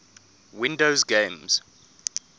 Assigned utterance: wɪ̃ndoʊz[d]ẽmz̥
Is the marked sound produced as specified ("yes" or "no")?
no